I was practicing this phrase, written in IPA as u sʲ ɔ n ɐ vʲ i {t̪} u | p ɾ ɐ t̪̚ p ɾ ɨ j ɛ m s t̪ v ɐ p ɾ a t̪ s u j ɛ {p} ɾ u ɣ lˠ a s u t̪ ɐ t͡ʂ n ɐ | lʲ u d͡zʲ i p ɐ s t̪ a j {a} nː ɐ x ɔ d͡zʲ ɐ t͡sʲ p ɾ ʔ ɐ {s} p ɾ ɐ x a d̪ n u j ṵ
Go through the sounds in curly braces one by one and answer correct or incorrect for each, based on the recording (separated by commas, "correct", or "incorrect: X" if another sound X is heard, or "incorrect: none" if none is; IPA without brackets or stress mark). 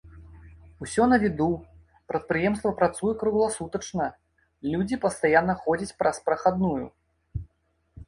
incorrect: d̪, incorrect: k, correct, correct